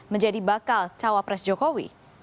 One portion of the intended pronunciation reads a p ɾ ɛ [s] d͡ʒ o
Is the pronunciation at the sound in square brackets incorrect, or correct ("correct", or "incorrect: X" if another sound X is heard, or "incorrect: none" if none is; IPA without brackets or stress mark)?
correct